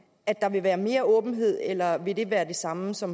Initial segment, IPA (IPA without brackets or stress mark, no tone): æ